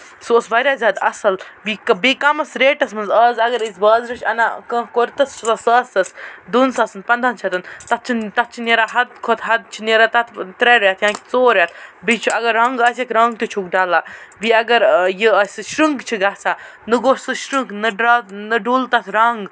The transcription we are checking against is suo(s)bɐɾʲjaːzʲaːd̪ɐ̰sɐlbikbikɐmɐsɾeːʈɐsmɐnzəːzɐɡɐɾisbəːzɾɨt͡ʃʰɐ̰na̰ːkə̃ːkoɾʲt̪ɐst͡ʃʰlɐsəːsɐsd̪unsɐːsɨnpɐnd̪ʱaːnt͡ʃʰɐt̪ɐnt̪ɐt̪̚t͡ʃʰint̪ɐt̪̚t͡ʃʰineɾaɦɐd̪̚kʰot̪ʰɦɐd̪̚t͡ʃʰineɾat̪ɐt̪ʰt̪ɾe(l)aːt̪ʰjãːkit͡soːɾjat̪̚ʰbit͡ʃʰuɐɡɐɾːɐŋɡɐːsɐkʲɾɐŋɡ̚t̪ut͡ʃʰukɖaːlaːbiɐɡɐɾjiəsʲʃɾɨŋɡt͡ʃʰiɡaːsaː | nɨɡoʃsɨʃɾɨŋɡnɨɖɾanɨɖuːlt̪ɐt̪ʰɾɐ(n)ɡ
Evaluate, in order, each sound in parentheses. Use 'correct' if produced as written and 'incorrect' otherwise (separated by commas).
correct, incorrect, incorrect